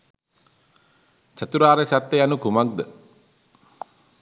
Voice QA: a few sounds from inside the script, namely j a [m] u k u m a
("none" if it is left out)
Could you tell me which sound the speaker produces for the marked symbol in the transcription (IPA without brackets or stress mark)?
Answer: n